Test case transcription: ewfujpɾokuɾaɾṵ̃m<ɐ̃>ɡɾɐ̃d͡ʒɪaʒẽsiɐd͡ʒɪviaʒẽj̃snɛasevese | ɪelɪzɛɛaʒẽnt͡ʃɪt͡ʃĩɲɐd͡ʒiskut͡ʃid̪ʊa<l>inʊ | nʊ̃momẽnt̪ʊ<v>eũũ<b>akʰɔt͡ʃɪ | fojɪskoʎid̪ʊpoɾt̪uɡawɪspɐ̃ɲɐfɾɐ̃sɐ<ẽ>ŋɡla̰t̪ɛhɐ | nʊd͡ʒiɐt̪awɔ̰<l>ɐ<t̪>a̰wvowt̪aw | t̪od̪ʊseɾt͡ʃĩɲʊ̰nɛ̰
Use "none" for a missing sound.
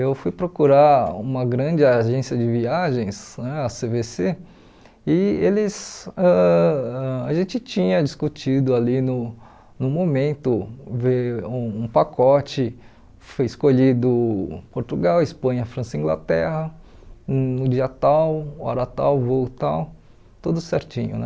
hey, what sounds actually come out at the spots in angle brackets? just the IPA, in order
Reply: ɐ, l, v, p, ĩ, ɾ, t̪

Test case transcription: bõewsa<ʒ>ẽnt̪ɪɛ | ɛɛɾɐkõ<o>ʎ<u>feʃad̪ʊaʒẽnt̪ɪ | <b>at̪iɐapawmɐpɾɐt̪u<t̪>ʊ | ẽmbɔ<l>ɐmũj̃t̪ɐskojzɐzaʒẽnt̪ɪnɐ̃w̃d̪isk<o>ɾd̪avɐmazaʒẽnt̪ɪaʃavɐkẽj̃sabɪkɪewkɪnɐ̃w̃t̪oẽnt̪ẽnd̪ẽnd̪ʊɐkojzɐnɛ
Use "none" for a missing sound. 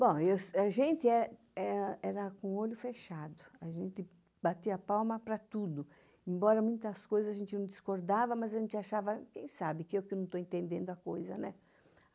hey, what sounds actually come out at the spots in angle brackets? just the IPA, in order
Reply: ʒ, o, ʊ, b, d̪, ɾ, o

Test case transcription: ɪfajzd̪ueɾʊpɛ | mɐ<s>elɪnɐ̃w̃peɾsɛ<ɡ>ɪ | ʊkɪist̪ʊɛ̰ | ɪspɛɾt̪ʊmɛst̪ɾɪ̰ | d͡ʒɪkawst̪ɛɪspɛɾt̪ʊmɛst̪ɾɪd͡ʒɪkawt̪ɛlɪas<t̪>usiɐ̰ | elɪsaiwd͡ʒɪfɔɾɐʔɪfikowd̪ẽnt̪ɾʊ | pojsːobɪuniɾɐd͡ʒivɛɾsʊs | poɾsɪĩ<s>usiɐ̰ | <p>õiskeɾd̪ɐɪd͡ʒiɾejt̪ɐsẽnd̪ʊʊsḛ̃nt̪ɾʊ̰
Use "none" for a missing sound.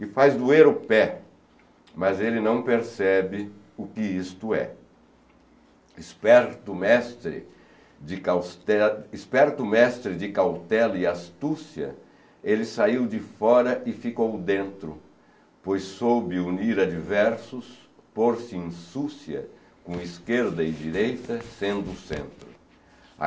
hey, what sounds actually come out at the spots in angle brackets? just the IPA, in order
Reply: z, b, t̪, s, k

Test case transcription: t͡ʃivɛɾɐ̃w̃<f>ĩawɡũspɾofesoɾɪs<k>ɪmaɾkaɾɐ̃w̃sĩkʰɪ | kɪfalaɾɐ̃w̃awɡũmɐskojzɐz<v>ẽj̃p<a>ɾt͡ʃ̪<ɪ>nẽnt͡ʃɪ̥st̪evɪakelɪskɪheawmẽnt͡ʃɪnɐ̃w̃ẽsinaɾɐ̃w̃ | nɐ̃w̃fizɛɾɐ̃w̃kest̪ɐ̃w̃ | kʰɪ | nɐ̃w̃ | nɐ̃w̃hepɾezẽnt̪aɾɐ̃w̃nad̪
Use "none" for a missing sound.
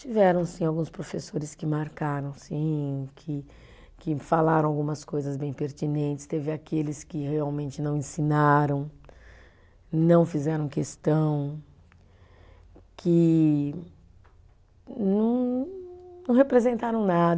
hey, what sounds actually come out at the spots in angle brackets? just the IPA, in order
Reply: s, k, b, e, i

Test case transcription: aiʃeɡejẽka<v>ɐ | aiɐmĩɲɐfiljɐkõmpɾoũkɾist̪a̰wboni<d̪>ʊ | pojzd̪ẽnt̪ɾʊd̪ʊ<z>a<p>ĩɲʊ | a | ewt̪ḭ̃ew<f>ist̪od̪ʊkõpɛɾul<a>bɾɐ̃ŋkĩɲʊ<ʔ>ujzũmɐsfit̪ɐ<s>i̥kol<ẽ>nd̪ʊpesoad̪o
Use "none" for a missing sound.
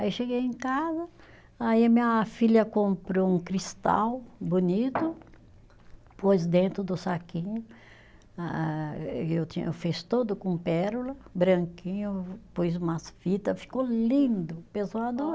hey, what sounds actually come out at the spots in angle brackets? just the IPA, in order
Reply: z, t̪, s, k, f, ɐ, p, f, ĩ

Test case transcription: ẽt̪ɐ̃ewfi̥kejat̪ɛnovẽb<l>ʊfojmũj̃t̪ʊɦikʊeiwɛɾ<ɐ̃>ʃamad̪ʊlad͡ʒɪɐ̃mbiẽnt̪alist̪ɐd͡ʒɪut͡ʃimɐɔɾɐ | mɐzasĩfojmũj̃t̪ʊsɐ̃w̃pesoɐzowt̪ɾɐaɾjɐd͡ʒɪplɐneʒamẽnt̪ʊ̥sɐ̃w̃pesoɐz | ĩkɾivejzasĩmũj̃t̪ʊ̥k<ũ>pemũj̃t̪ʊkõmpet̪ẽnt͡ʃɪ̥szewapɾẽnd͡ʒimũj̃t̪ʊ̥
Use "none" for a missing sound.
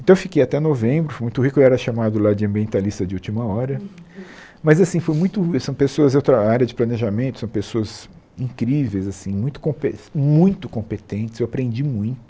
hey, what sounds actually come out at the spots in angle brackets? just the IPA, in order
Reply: ɾ, ɐ, õ

